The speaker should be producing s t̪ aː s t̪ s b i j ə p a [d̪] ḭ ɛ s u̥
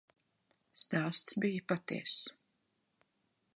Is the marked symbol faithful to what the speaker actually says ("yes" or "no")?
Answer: no